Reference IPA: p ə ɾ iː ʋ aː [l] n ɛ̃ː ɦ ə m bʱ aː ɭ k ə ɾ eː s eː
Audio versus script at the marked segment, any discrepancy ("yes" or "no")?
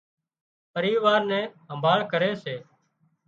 yes